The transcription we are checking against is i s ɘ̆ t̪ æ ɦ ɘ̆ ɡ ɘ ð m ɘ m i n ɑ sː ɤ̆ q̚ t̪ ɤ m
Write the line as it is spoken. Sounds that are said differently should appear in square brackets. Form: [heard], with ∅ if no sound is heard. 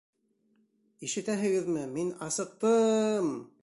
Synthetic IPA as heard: i [ʃ] ɘ̆ t̪ æ ɦ ɘ̆ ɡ ɘ ð m ɘ m i n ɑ [s] ɤ̆ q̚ t̪ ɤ m